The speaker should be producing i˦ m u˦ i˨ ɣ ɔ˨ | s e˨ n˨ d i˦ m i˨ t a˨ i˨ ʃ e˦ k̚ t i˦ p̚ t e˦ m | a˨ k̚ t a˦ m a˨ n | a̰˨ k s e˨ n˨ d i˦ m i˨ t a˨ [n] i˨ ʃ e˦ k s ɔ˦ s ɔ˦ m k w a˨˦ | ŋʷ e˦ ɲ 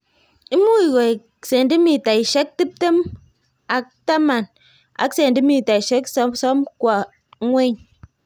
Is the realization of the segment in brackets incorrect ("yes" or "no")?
yes